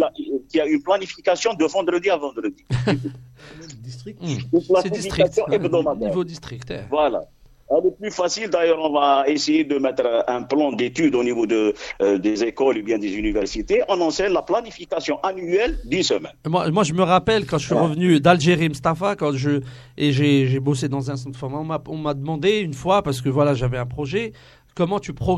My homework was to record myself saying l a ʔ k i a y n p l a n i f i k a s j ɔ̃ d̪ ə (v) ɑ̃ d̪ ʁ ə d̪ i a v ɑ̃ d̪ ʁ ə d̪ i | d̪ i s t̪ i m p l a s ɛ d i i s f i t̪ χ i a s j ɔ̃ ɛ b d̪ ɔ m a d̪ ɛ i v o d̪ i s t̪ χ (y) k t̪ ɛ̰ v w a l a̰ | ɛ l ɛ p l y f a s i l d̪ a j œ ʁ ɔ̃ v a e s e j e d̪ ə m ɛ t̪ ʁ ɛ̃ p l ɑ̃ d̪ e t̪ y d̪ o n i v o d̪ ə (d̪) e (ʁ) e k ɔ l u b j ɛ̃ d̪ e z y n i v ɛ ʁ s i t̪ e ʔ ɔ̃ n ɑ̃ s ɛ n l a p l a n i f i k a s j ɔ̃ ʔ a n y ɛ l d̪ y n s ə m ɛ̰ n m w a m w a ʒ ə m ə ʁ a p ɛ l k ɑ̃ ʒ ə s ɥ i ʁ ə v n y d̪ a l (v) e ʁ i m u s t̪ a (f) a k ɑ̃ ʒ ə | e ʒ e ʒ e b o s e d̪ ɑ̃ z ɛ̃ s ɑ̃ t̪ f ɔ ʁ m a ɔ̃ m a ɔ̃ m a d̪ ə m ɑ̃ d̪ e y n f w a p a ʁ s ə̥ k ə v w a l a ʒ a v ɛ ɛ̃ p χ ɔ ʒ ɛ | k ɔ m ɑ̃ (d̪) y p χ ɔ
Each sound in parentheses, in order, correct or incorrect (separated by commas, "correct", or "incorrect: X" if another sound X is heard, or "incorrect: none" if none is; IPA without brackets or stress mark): correct, incorrect: i, correct, incorrect: z, incorrect: ʒ, correct, incorrect: t̪